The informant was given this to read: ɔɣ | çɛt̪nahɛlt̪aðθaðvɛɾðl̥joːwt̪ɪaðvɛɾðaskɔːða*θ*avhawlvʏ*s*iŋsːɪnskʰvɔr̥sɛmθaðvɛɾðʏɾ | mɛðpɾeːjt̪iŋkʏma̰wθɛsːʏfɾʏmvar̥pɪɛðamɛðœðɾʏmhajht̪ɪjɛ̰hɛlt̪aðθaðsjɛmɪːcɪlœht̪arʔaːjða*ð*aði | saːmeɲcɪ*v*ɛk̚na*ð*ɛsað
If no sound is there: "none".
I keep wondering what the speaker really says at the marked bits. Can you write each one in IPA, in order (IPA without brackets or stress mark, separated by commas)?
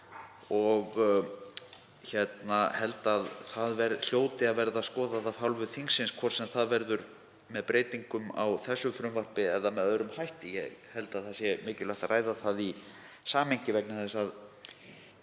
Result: ð, θ, θ, v, θ